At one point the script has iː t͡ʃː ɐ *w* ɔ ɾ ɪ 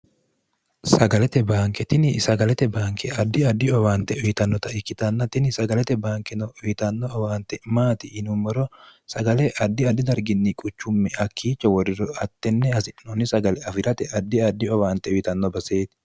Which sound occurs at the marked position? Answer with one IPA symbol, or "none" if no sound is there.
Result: w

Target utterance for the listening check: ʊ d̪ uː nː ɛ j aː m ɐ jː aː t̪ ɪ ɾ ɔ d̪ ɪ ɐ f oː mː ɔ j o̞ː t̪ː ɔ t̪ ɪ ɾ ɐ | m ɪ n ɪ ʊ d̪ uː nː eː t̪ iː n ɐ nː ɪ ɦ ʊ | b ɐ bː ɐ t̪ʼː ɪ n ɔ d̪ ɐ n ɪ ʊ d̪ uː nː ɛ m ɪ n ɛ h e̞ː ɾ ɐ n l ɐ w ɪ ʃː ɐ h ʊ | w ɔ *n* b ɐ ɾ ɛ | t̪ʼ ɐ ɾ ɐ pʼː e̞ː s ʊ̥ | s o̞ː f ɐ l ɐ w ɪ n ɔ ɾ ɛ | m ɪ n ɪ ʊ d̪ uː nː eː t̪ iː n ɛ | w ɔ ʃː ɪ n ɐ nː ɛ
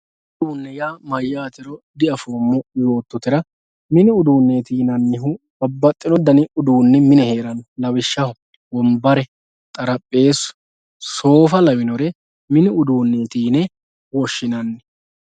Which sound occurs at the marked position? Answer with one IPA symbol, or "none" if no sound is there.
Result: m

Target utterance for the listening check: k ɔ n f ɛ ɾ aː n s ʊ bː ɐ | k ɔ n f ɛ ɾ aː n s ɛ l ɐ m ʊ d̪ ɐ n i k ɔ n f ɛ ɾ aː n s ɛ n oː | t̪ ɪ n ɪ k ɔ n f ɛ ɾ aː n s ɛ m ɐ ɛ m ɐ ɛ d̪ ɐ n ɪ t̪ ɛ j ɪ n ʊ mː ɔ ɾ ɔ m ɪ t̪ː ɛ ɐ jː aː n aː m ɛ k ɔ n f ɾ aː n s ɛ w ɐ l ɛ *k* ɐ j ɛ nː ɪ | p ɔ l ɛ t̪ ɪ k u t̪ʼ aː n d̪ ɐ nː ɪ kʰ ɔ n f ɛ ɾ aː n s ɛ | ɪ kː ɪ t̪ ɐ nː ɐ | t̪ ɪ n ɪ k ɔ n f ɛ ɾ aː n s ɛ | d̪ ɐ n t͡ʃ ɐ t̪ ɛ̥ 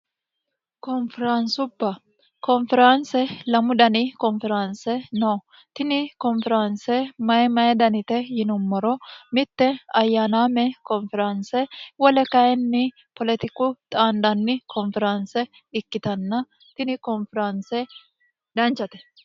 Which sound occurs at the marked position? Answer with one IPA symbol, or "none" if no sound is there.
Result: k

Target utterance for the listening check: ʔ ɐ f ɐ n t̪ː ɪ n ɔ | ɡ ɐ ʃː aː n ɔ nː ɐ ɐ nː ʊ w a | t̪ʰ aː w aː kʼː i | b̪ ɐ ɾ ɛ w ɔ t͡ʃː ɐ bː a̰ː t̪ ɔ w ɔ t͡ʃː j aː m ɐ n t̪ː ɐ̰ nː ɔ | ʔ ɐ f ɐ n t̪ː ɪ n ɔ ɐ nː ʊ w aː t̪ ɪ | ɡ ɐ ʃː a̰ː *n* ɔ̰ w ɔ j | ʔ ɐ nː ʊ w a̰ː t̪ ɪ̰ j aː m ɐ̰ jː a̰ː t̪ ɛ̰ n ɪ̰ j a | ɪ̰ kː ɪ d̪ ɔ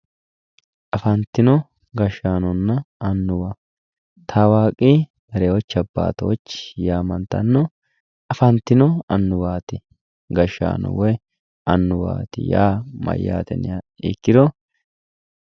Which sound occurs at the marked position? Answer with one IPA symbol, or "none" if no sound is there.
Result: n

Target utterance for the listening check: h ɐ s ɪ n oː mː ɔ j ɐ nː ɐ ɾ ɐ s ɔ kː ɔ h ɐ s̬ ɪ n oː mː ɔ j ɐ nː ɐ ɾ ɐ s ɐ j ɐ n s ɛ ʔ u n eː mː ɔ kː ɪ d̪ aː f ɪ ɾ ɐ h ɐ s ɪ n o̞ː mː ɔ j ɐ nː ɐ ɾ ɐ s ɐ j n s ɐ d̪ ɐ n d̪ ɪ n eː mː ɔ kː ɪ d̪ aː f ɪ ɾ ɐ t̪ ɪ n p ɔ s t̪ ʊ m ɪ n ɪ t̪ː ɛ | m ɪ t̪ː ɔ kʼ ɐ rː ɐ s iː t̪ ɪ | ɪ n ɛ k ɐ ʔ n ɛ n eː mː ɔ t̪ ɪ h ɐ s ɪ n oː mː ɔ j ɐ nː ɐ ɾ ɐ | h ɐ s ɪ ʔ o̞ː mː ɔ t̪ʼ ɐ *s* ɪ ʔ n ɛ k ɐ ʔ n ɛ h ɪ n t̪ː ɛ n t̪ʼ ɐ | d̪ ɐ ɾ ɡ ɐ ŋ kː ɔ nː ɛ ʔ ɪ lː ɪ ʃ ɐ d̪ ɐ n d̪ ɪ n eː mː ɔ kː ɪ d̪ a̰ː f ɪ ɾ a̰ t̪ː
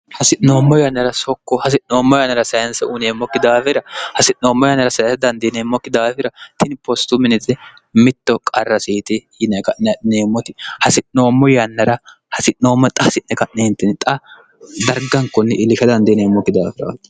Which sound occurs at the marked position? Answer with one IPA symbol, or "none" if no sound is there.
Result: s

